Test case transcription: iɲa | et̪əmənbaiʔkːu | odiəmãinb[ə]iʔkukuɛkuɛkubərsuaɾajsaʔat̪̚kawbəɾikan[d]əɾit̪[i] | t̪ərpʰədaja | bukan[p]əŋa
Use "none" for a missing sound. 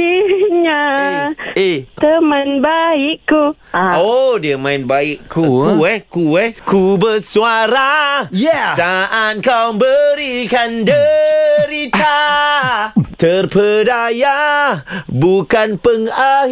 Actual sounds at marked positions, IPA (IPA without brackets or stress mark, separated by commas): a, d, a, p